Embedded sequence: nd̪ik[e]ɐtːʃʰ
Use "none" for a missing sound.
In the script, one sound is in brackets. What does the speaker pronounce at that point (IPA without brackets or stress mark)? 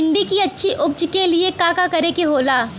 i